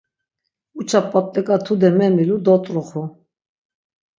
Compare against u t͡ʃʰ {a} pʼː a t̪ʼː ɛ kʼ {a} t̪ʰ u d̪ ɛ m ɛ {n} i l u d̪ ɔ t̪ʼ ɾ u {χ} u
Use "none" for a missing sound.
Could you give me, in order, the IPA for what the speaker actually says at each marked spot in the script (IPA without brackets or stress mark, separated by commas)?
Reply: a, a, m, χ